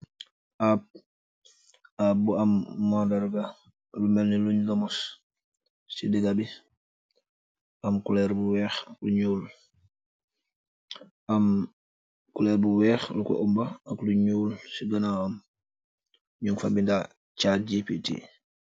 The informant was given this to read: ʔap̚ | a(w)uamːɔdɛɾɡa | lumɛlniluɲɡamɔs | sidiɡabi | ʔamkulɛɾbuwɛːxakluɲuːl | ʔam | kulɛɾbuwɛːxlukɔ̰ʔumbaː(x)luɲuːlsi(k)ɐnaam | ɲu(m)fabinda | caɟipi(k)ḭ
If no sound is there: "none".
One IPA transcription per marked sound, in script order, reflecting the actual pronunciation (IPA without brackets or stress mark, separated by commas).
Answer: b, k, ɡ, ŋ, t